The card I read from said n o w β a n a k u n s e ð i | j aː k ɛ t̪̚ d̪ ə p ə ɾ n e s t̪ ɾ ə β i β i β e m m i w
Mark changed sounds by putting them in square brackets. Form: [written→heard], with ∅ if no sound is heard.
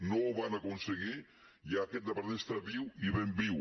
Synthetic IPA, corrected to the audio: n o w β a n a k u n s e [ð→ɣ] i | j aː k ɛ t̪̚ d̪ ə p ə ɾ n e s t̪ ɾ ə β i [β→w] i β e m [m→b] i w

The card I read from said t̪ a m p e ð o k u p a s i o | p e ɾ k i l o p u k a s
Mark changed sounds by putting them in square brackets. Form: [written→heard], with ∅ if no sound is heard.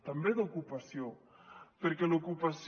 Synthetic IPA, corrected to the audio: t̪ a m [p→b] e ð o k u p a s [i→j] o | p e ɾ k [i→e] l o [p→k] u [k→p] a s

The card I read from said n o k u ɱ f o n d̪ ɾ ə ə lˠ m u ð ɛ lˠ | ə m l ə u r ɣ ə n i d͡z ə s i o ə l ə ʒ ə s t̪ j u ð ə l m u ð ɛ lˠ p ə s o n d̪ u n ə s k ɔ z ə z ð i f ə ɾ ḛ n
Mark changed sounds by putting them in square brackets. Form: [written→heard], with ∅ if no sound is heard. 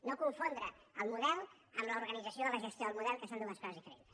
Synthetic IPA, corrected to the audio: n o k u ɱ f o n d̪ ɾ ə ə lˠ m u ð ɛ lˠ | ə m l ə u [r→ɾ] ɣ ə n i d͡z ə s i o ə l ə ʒ ə s t̪ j [u→o] ð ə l m u ð ɛ lˠ [p→k] ə s o n d̪ u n ə s k ɔ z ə z ð i f ə ɾ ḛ n

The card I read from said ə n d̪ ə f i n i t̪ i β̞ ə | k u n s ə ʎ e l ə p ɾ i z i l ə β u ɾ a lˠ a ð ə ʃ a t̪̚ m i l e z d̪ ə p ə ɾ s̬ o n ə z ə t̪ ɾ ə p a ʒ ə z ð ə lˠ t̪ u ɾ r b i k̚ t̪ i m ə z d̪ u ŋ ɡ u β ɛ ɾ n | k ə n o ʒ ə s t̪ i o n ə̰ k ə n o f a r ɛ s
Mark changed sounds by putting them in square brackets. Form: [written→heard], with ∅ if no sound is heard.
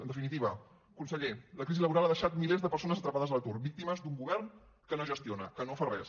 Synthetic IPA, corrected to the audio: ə n d̪ ə f i n i t̪ i β̞ ə | k u n s ə ʎ e l ə [p→k] ɾ i z i l ə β u ɾ a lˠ a ð ə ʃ a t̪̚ m i l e z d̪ ə p ə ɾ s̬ o n ə z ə t̪ ɾ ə p a [ʒ→ð] ə z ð ə lˠ t̪ u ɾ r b i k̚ t̪ i m ə z d̪ u ŋ ɡ u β ɛ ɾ n | k ə n o ʒ ə s t̪ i o n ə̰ k ə n o f a r ɛ s

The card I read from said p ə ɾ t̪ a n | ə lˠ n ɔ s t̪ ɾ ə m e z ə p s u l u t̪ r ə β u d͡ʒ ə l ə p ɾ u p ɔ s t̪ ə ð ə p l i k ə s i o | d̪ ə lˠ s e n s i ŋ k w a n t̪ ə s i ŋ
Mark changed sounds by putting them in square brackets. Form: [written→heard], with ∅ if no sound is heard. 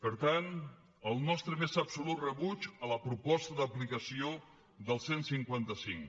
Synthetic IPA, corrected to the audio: p ə ɾ t̪ a n | ə lˠ n ɔ s t̪ ɾ ə m e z ə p s u l u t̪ r ə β u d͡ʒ ə l ə p ɾ u p ɔ s t̪ ə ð ə p l i k ə s i o | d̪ ə lˠ s e n s i ŋ k w a n t̪ ə s i ŋ

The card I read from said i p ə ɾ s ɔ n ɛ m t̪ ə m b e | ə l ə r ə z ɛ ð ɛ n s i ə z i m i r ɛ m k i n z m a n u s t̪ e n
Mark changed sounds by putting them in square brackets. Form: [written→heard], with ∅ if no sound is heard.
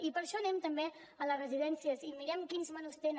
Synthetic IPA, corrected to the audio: i p ə ɾ [s→ʃ] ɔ n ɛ m t̪ ə m b e | ə l ə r ə z [ɛ→i] ð ɛ n s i ə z i m i [r→ɾ] ɛ m k i n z m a n u s t̪ e n

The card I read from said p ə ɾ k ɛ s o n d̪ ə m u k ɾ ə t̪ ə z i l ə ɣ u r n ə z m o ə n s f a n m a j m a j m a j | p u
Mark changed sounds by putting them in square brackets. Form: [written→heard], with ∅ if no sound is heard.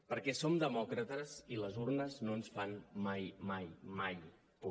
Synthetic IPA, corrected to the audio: p ə ɾ k ɛ s o [n→m] d̪ ə m [u→ɔ] k ɾ ə t̪ ə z i l ə [ɣ→z] u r n ə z [m→n] o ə n s f a n m a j m a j m a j | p u

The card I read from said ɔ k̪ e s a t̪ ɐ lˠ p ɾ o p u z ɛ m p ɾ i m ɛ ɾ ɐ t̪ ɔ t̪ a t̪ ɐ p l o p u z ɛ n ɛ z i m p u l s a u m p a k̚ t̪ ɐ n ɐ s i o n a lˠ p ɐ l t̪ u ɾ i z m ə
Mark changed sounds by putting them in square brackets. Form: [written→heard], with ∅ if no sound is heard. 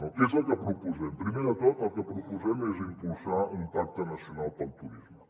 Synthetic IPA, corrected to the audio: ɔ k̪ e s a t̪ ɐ [lˠ→∅] p ɾ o p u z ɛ m p ɾ i m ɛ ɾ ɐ t̪ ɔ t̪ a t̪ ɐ p [l→ɾ] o p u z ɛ [n→m] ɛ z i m p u l s a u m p a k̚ t̪ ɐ n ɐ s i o n a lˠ p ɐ l t̪ u ɾ i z m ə

